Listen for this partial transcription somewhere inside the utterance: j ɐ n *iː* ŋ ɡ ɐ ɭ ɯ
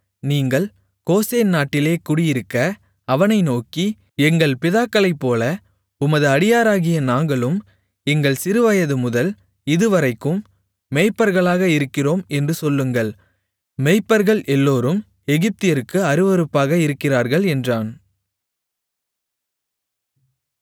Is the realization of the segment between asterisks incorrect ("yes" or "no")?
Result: yes